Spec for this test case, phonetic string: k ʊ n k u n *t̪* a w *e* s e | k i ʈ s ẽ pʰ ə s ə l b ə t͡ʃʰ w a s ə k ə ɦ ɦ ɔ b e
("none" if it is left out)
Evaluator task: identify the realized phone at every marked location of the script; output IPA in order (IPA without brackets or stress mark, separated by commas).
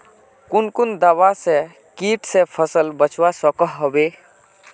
d̪, a